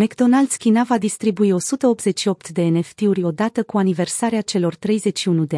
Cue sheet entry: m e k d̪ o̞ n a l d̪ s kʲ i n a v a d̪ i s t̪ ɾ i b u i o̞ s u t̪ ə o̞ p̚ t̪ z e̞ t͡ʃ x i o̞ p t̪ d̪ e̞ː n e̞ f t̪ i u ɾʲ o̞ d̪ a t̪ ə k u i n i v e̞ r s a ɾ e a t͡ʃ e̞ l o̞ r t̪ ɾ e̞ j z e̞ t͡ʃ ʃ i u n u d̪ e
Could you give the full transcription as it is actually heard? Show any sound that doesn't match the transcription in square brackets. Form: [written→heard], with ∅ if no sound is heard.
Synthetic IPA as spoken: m e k d̪ o̞ n a l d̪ s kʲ i n a v a d̪ i s t̪ ɾ i b u i o̞ s u t̪ ə o̞ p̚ t̪ z e̞ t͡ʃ [x→ʃ] i o̞ p t̪ d̪ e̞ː n e̞ f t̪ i u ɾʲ o̞ d̪ a t̪ ə k u [i→a] n i v e̞ r s a ɾ e a t͡ʃ e̞ l o̞ r t̪ ɾ e̞ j z e̞ t͡ʃ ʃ i u n u d̪ e